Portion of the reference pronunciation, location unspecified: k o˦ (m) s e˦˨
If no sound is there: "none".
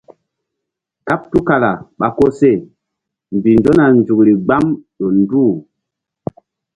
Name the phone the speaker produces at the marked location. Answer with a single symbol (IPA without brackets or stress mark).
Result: none